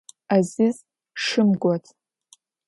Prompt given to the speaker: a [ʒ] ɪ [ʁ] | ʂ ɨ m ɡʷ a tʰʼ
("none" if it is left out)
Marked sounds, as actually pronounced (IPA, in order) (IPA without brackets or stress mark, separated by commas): z, z